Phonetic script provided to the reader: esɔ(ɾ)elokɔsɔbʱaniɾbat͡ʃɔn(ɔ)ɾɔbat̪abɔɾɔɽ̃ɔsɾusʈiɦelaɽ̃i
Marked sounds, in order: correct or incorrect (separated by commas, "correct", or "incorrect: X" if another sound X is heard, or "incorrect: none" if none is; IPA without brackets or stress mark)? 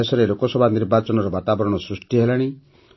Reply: correct, correct